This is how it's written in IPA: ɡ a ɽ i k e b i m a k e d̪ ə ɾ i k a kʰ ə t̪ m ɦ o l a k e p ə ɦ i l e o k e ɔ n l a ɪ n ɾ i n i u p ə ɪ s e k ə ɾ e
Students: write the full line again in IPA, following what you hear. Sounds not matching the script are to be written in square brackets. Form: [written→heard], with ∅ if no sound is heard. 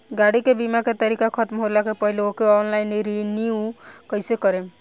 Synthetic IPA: ɡ a ɽ i k e b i m a k e [d̪→t̪] ə ɾ i k a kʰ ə t̪ m ɦ o l a k e p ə ɦ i l e o k e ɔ n l a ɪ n ɾ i n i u [p→k] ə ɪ s e k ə ɾ e